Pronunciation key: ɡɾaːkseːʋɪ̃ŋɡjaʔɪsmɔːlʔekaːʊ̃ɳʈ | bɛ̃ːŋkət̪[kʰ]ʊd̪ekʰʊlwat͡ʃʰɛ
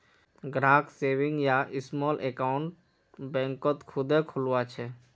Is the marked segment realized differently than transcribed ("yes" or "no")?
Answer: no